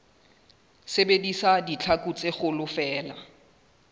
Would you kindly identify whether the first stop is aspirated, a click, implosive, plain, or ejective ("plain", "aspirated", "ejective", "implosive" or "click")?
plain